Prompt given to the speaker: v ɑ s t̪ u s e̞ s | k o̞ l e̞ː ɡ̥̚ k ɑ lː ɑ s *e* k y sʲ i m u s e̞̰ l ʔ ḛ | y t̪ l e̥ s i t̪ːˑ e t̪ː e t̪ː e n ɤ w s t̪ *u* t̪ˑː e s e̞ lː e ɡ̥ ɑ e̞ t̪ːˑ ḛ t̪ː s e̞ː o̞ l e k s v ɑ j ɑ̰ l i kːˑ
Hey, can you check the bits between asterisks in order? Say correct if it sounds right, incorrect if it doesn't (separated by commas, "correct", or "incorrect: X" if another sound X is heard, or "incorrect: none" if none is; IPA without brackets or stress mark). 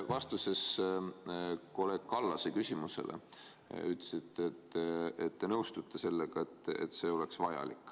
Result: correct, correct